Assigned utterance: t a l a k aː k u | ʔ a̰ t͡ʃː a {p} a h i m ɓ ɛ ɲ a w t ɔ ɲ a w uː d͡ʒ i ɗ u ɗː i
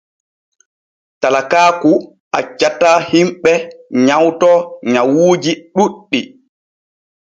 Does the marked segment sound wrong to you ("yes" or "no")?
yes